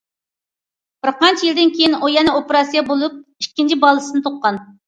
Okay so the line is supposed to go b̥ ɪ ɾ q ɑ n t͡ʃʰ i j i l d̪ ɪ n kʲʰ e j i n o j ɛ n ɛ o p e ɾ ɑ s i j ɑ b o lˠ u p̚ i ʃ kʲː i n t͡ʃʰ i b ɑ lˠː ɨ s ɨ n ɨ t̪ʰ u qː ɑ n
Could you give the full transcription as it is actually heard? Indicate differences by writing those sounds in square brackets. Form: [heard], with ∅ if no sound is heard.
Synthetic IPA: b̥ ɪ ɾ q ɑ n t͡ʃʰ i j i l d̪ ɪ n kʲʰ e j i n o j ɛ n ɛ o p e ɾ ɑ s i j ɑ b o lˠ u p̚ i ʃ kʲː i n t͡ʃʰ i b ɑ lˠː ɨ s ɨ n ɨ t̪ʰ [o] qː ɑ n